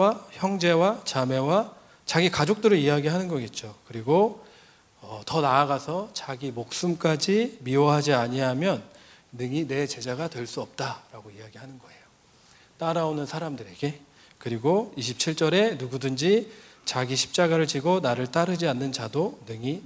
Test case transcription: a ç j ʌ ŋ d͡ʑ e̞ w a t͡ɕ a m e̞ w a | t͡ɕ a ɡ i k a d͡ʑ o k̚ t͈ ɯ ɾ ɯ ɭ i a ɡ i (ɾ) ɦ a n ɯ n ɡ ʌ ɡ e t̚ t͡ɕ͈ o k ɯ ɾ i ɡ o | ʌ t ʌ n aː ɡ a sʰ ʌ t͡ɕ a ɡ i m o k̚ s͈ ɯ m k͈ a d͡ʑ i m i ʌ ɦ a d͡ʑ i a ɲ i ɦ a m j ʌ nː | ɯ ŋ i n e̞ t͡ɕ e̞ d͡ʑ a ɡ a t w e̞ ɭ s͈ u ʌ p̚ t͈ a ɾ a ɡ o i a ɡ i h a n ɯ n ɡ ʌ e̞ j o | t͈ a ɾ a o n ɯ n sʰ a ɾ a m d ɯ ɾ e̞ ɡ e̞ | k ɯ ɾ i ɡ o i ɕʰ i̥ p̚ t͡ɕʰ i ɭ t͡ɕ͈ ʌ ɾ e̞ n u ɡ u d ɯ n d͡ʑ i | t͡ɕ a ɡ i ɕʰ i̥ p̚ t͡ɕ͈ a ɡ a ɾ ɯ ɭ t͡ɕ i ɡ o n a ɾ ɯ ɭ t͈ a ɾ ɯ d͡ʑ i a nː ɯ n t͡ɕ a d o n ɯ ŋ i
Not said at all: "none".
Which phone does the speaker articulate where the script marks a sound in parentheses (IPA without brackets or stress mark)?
ɭ